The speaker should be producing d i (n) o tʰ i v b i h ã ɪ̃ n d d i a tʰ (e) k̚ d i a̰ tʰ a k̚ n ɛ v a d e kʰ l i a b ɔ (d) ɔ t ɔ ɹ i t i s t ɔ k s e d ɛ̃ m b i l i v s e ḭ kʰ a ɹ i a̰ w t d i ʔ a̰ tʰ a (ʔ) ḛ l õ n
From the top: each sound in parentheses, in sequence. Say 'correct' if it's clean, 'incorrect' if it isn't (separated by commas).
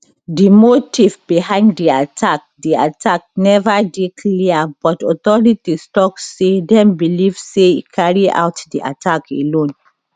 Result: incorrect, incorrect, incorrect, incorrect